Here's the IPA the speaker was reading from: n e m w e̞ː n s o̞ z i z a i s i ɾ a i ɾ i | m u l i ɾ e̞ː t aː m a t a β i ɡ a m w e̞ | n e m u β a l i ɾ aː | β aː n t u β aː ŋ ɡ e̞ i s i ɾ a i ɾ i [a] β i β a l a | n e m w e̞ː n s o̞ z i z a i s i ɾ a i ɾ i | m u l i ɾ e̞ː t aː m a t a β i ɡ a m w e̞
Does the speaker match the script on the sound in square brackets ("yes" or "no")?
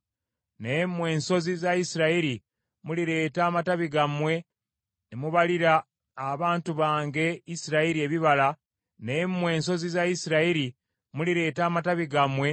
no